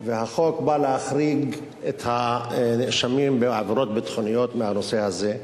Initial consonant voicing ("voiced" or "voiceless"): voiced